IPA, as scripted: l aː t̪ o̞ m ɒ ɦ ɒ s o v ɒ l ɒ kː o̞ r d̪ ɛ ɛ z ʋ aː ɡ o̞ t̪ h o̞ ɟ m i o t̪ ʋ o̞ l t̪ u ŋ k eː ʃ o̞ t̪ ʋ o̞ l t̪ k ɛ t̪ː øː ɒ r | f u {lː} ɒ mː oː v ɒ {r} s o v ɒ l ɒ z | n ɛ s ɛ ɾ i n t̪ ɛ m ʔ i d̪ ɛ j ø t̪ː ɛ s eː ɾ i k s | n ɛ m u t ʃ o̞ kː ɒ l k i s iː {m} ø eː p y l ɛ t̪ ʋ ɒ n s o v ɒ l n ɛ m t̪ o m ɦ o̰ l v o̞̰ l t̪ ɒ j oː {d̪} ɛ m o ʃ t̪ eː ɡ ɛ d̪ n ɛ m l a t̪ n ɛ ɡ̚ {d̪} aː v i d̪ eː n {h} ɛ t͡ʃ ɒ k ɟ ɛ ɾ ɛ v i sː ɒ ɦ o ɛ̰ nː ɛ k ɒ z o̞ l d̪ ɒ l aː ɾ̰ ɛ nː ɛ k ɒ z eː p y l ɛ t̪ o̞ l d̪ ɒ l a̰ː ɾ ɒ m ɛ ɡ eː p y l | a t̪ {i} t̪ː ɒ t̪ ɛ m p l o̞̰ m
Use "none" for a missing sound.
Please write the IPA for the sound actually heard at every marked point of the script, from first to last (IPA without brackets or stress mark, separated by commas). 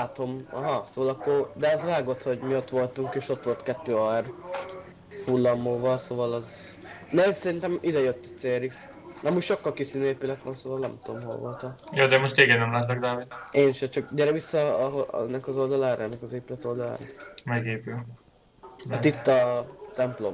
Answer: lː, l, n, d̪, d̪, ʃ, i